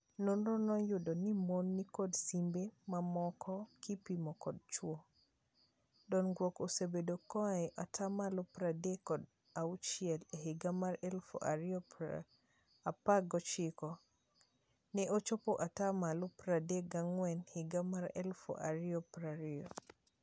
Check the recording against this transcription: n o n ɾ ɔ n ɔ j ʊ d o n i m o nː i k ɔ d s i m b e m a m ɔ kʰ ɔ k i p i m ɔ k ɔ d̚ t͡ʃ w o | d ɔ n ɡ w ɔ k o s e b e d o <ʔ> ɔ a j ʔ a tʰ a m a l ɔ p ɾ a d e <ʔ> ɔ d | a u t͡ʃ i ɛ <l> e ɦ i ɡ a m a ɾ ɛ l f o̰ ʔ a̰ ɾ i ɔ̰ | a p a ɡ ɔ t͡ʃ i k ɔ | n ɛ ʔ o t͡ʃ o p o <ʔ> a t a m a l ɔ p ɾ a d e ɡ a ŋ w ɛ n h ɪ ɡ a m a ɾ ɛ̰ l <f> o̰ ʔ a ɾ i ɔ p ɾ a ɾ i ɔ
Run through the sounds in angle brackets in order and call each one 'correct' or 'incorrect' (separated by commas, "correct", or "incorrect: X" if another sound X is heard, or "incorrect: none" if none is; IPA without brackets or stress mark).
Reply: incorrect: k, incorrect: k, correct, correct, correct